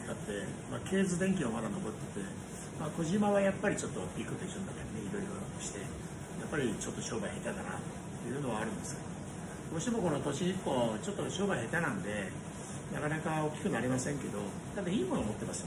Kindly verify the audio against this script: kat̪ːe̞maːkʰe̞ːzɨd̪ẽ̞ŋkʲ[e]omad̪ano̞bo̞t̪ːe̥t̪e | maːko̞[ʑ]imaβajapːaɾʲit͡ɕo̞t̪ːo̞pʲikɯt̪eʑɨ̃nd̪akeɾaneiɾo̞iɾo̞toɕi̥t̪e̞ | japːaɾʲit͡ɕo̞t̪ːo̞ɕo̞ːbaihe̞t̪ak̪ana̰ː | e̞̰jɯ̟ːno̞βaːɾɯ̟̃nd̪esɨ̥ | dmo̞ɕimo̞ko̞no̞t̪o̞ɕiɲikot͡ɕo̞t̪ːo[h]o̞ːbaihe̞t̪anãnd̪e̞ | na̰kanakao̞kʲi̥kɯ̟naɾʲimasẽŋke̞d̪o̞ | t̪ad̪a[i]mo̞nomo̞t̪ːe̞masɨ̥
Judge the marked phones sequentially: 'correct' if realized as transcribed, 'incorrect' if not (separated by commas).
incorrect, correct, incorrect, incorrect